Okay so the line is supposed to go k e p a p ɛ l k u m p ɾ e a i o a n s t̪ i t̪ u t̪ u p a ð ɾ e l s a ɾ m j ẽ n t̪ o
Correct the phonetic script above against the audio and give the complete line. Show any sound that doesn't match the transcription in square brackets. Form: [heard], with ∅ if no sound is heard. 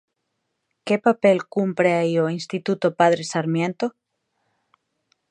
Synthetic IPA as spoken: k e p a p [e] l k u m p ɾ e a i o [i] n s t̪ i t̪ u t̪ [o] p a ð ɾ e [∅] s a ɾ m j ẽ n t̪ o

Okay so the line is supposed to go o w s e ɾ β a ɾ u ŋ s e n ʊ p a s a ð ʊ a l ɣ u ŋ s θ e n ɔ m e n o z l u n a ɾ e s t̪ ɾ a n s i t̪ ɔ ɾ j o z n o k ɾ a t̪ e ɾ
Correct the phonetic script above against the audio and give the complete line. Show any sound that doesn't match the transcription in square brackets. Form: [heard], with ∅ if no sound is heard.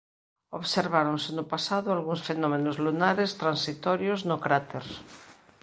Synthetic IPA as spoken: o [β] s e ɾ β a ɾ [o] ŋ s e n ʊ p a s a ð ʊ a l ɣ u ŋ s [f] e n ɔ m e n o z l u n a ɾ e s t̪ ɾ a n s i t̪ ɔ ɾ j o z n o k ɾ a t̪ e ɾ

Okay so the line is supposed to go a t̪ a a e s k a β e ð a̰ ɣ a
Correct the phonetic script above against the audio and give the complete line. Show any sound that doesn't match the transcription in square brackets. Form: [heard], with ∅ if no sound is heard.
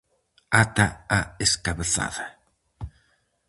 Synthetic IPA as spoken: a t̪ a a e s k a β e [θ] a̰ [ð] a

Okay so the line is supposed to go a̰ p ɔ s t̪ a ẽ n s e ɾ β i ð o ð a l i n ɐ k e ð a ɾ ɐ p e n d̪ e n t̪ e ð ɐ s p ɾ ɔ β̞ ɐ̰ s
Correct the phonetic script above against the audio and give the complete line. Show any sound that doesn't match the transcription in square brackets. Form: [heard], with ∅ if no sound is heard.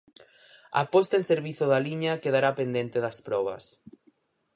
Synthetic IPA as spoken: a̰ p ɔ s t̪ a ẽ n s e ɾ β i [θ] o ð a l i [ɲ] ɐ k e ð a ɾ [a] p e n d̪ e n t̪ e ð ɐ s p ɾ ɔ β̞ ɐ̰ s

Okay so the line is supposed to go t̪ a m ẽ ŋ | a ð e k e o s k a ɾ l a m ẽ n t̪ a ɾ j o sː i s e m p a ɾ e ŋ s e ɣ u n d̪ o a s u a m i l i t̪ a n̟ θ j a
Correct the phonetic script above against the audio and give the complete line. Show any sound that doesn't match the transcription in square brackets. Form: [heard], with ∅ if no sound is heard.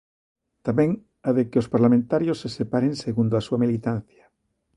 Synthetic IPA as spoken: t̪ a m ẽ ŋ | a ð e k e o s [p] a ɾ l a m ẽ n t̪ a ɾ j o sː [e] s e [∅] p a ɾ e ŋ s e ɣ u n d̪ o a s u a m i l i t̪ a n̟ θ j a

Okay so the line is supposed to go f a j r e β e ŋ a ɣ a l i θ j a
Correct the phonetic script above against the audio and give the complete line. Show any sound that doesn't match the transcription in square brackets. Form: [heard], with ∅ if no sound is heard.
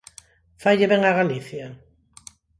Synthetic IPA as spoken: f a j [ʎ] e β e ŋ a ɣ a l i θ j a

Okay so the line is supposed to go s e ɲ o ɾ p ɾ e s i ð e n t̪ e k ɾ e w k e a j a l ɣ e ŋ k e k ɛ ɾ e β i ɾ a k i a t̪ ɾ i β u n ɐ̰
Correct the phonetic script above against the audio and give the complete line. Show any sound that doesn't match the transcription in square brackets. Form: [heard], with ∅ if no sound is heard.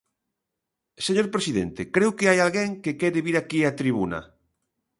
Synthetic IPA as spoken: s e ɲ o ɾ p ɾ e s i ð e n t̪ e k ɾ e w k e a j a l ɣ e ŋ k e k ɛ ɾ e β i ɾ a k i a t̪ ɾ i β u n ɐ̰

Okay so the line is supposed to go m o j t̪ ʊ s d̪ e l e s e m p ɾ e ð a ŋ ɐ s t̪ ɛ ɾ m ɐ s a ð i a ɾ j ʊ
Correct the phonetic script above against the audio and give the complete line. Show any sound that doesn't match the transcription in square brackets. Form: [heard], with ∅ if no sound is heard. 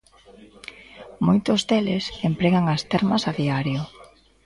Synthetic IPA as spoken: m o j t̪ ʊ [z] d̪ e l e s e m p ɾ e [ɣ] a ŋ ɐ s t̪ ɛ ɾ m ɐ s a ð i a ɾ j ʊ

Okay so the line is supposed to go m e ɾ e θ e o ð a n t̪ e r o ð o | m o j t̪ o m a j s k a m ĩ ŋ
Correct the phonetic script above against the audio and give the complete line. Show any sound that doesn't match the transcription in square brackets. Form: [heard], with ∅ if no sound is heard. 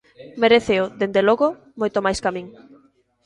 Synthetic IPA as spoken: m e ɾ e θ e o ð [e] n [d̪] e [l] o [ɣ] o | m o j t̪ o m a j s k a m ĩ ŋ

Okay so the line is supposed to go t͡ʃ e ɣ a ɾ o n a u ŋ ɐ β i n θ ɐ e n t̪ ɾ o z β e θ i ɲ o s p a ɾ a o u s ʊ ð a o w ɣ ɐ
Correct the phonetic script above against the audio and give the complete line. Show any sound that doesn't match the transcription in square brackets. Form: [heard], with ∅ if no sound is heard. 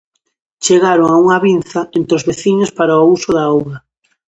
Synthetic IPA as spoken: t͡ʃ e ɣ a ɾ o [ŋ] a u ŋ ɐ β i n θ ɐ e n t̪ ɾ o z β e θ i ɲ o s p a ɾ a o u s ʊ ð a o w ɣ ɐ

